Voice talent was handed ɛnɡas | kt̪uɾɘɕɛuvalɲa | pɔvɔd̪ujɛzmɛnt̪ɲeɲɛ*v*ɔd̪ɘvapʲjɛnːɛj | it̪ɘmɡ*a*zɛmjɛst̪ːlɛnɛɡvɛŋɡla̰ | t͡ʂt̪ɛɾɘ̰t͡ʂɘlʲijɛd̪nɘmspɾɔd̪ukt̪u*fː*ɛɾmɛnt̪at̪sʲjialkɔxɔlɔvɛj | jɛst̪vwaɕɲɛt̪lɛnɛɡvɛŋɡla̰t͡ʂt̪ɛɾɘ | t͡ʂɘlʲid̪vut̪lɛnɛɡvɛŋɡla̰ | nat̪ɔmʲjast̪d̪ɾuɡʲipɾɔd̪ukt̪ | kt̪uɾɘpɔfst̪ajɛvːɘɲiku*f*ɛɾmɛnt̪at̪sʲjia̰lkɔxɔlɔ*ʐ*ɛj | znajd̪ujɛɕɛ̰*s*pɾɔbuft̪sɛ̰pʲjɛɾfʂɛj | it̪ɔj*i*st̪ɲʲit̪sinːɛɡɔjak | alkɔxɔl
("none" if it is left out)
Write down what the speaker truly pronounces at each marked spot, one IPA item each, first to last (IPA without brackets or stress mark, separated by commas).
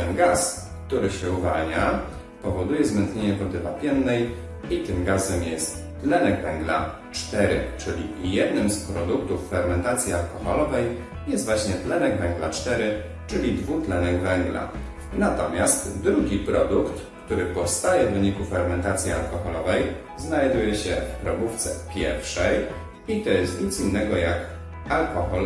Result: v, a, fː, f, v, f, ɛ